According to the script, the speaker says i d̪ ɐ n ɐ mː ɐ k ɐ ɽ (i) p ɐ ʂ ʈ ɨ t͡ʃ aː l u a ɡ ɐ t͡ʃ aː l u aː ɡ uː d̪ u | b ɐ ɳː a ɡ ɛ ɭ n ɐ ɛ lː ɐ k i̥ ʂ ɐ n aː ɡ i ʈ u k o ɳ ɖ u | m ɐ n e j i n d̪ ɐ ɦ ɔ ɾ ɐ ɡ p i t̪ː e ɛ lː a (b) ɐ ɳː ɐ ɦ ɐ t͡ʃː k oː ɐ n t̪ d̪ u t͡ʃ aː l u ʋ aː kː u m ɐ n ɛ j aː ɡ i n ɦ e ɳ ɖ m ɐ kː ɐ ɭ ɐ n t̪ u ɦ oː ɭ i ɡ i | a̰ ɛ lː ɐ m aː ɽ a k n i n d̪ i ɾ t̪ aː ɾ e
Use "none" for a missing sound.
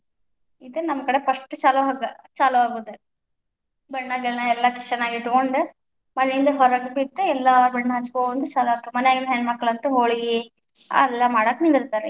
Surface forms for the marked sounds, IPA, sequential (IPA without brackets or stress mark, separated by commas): e, b